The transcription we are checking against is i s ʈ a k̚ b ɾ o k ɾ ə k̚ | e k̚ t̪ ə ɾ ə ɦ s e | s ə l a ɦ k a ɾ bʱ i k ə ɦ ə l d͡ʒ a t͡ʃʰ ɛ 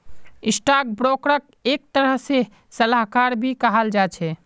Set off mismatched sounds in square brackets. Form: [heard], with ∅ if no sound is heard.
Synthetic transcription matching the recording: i s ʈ a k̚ b ɾ o k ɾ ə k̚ | e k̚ t̪ ə ɾ ə ɦ s e | s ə l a ɦ k a ɾ bʱ i k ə ɦ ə l d͡ʒ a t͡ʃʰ ɛ